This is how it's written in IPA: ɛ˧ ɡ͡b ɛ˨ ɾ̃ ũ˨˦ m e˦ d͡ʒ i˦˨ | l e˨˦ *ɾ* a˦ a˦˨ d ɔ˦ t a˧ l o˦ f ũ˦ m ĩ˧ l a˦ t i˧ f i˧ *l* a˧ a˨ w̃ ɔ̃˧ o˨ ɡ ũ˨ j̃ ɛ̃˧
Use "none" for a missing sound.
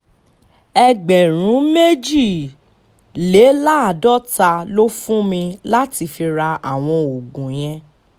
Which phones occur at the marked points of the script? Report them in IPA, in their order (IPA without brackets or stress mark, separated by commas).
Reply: l, ɾ